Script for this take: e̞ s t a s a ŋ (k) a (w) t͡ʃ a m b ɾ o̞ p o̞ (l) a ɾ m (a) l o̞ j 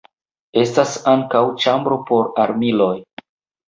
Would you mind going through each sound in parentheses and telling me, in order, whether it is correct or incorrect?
correct, correct, incorrect, incorrect

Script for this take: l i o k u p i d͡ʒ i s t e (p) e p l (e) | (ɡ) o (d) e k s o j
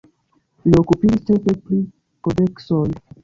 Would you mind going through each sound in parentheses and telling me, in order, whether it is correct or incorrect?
correct, incorrect, incorrect, correct

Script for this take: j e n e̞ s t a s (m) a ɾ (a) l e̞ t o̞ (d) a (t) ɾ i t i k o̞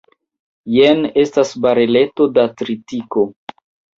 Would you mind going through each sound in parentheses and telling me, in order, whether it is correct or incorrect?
incorrect, incorrect, correct, correct

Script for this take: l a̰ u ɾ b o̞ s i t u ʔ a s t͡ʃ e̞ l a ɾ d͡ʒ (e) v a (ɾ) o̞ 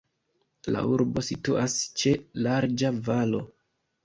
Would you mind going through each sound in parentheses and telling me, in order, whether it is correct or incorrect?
incorrect, incorrect

